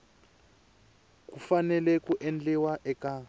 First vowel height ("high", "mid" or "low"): high